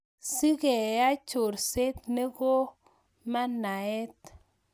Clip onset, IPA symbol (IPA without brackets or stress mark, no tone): s